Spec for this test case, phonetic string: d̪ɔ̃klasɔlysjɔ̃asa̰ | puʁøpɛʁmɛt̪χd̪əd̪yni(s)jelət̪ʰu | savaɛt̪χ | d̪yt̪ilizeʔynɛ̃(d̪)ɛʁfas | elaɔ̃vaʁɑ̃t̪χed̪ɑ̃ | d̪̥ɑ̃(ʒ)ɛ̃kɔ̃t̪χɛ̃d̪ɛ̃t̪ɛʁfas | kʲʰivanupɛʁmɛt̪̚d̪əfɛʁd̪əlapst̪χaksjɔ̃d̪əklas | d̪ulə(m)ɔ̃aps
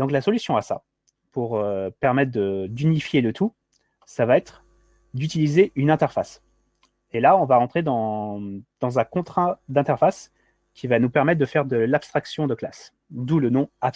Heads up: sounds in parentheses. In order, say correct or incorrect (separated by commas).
incorrect, incorrect, incorrect, incorrect